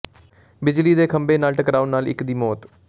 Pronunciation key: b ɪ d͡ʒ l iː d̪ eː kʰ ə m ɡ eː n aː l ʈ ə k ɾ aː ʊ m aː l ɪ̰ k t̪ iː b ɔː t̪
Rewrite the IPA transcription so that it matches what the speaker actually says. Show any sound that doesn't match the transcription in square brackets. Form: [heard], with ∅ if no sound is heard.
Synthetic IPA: b ɪ d͡ʒ l iː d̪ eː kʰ ə m [b] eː n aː l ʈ ə k ɾ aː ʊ [n] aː l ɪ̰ k [d̪] iː [m] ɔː t̪